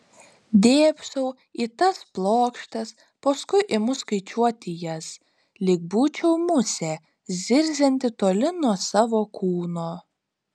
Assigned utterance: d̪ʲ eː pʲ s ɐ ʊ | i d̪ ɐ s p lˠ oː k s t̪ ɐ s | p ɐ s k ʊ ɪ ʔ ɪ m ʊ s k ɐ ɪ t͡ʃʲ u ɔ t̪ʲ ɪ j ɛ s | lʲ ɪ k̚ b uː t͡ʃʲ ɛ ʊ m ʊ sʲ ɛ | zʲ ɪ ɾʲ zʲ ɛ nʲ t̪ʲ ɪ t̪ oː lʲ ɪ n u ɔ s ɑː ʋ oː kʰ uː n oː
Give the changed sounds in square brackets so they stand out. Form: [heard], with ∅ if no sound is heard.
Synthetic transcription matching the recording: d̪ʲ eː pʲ s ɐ ʊ | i [t̪] ɐ s p lˠ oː k [ʃ] t̪ ɐ s | p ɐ s k ʊ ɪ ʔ ɪ m ʊ s k ɐ ɪ t͡ʃʲ u ɔ t̪ʲ ɪ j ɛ s | lʲ ɪ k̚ b uː t͡ʃʲ ɛ ʊ m ʊ sʲ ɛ | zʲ ɪ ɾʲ zʲ ɛ nʲ t̪ʲ ɪ t̪ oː lʲ ɪ n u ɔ s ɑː ʋ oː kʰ uː n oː